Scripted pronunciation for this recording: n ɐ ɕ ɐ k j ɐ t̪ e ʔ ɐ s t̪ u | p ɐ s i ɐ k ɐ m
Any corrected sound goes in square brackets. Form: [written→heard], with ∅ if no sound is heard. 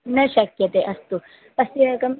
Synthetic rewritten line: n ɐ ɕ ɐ k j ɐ t̪ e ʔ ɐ s t̪ u | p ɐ s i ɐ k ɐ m